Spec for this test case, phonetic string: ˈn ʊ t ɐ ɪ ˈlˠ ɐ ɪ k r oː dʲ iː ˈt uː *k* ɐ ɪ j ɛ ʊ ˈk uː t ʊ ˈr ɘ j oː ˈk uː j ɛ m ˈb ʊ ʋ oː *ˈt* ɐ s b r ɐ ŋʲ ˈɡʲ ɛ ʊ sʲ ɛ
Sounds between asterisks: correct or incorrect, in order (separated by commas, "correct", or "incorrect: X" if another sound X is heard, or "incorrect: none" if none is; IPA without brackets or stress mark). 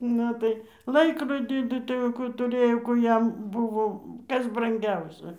incorrect: t, incorrect: k